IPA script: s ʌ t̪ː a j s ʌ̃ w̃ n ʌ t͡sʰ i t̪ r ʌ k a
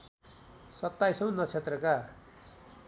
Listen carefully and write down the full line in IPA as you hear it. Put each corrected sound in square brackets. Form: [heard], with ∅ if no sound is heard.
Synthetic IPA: s ʌ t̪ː a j s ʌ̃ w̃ n ʌ t͡sʰ [e] t̪ r ʌ k a